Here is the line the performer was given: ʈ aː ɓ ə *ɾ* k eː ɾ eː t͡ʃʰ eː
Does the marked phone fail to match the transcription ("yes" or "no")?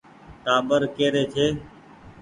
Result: no